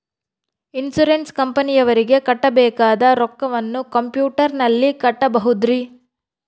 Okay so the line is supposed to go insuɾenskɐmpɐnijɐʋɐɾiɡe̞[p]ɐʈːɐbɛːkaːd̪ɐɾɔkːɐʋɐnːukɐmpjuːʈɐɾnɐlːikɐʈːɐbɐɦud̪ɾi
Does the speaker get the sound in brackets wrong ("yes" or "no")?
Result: yes